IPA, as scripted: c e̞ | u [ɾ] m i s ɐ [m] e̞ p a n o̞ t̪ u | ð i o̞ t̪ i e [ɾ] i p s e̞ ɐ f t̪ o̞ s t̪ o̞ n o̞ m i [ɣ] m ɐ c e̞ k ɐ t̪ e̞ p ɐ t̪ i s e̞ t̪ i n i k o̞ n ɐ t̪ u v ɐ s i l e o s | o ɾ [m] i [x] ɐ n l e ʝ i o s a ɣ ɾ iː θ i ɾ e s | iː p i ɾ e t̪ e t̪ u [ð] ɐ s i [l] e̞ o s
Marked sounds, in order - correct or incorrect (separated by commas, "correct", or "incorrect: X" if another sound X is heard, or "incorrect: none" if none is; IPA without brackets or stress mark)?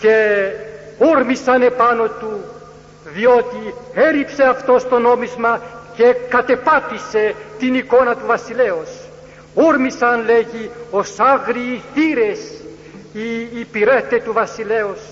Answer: correct, incorrect: n, correct, incorrect: z, correct, incorrect: s, incorrect: v, correct